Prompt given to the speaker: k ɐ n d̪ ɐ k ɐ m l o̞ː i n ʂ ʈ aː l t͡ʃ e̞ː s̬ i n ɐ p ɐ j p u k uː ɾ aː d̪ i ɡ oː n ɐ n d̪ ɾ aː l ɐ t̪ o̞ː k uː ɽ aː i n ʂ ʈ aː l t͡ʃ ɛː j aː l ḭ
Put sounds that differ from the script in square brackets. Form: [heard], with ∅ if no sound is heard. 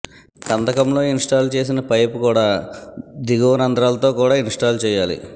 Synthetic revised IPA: k ɐ n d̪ ɐ k ɐ m l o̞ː i n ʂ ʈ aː l t͡ʃ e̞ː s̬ i n ɐ p ɐ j p u k uː [ɽ] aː d̪ i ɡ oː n ɐ n d̪ ɾ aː l ɐ t̪ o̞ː k uː ɽ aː i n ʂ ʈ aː l t͡ʃ ɛː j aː l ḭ